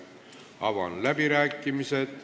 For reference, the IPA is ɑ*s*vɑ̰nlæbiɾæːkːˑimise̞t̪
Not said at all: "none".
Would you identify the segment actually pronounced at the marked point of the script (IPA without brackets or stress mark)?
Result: none